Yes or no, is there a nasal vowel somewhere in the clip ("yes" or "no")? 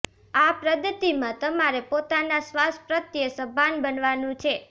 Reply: yes